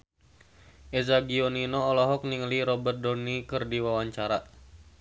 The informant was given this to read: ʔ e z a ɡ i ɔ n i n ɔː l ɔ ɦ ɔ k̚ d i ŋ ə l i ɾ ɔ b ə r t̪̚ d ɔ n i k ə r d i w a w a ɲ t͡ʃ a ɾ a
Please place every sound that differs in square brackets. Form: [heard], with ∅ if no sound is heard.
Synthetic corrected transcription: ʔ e z a ɡ i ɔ n i n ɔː l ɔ ɦ ɔ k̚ [n] i ŋ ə l i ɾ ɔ b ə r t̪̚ d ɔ n i k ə r d i w a w a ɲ t͡ʃ a ɾ a